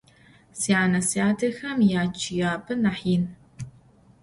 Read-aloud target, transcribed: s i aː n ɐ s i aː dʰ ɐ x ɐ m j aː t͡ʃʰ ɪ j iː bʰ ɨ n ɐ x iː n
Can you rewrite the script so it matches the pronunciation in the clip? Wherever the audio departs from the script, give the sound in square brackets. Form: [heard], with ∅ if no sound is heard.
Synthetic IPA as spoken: s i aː n ɐ s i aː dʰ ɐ x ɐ m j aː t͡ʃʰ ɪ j [aː] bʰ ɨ n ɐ [ħ] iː n